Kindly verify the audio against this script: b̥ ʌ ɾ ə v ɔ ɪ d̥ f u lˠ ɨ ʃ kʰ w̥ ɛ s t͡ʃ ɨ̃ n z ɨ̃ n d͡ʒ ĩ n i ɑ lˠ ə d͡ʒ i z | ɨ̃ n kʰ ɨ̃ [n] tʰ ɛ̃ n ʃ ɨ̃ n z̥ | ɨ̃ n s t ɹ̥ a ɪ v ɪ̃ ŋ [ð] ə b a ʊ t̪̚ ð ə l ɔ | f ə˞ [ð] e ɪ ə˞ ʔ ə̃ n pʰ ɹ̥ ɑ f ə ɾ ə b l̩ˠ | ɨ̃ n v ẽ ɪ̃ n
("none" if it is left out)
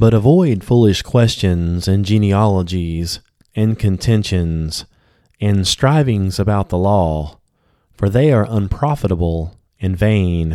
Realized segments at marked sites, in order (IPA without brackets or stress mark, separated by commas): n, z, ð